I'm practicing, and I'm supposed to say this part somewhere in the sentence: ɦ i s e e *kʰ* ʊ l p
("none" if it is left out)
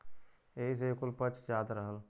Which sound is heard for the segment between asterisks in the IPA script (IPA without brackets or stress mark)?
k